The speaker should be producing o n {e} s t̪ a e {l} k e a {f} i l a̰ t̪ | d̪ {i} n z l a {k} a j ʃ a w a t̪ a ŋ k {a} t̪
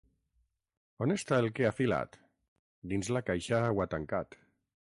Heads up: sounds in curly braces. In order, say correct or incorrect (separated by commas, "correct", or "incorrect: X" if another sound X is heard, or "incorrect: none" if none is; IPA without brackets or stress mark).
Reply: correct, correct, correct, correct, correct, correct